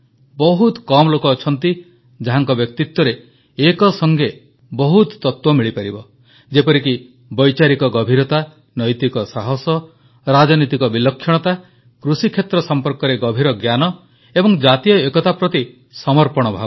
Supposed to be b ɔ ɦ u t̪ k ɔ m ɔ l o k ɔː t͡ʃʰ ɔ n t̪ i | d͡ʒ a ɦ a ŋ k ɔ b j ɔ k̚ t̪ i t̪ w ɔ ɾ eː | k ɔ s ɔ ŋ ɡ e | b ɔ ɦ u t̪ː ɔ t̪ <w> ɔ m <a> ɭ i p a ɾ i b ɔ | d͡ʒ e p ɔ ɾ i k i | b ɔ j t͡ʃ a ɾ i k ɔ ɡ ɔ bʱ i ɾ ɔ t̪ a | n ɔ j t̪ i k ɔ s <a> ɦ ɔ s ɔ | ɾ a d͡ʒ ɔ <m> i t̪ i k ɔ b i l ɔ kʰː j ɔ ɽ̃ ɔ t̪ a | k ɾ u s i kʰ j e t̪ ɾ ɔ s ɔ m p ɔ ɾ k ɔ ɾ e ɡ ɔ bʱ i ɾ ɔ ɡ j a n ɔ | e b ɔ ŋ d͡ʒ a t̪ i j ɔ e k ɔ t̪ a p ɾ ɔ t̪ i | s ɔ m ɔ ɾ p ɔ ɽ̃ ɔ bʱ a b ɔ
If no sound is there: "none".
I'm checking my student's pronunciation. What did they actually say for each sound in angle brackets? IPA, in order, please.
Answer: w, i, a, n

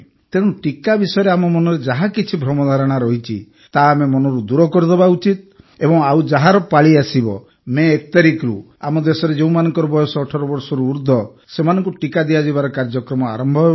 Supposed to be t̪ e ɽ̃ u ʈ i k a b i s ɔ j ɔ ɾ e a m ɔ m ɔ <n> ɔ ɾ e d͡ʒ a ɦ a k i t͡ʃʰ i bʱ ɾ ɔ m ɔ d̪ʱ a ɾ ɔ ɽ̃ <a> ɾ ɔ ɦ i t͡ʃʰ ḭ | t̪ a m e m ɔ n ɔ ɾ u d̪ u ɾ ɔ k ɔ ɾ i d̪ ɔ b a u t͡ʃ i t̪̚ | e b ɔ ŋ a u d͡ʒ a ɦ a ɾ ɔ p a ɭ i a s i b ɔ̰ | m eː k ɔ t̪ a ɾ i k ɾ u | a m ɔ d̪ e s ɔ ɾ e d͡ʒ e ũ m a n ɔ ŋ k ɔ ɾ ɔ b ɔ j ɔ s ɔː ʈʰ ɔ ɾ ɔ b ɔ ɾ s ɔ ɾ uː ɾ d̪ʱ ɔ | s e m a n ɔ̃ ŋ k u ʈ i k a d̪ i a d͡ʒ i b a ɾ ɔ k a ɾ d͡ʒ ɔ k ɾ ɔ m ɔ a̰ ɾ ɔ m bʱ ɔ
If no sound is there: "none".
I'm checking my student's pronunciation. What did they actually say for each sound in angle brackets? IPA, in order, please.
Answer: n, a

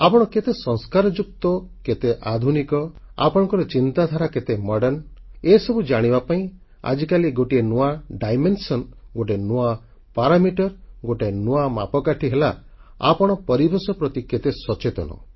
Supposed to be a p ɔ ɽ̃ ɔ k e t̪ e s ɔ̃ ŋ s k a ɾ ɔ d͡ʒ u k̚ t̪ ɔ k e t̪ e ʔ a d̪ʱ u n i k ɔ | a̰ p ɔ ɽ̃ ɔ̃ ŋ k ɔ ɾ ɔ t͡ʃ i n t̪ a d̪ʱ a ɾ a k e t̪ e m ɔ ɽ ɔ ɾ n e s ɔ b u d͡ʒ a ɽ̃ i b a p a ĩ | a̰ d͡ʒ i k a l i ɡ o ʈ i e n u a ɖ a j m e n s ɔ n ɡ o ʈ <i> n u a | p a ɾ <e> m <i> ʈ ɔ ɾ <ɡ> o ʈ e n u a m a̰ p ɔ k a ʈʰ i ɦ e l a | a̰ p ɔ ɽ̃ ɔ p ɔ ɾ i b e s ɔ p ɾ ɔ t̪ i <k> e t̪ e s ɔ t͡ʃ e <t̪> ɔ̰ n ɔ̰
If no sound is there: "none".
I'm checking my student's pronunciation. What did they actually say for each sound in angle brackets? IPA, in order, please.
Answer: e, a, i, ɡ, k, t̪

